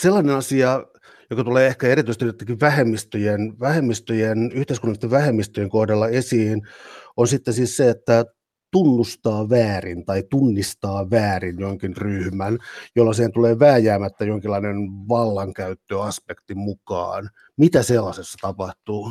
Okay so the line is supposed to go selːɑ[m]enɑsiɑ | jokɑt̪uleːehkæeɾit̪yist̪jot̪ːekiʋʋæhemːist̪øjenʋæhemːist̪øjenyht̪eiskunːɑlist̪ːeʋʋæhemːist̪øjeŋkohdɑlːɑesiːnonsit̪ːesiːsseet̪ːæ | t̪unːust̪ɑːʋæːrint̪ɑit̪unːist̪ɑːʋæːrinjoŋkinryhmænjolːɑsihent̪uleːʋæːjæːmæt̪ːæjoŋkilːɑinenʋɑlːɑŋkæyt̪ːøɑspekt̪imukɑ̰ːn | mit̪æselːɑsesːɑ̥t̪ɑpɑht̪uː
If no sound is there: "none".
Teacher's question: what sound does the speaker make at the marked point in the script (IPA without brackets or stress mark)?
n